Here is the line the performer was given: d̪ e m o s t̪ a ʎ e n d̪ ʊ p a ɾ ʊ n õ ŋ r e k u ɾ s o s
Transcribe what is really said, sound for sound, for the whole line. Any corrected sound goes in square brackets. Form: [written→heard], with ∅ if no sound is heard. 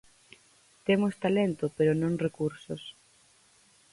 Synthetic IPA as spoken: [d̪→t̪] e m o s t̪ a [ʎ→l] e n [d̪→t̪] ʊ p [a→e] ɾ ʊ n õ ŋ r e k u ɾ s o s